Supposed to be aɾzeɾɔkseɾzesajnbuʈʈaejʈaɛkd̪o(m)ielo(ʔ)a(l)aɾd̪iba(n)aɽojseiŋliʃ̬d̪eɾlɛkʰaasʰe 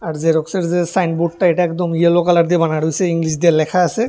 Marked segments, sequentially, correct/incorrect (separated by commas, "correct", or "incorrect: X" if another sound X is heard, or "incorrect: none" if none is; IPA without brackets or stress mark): correct, incorrect: k, correct, correct